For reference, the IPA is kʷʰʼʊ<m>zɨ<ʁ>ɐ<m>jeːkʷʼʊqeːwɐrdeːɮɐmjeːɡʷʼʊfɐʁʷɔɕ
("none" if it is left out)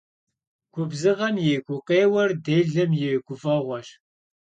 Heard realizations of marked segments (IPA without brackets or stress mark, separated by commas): b, ʁ, m